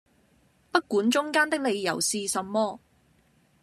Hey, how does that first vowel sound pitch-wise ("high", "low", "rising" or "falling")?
high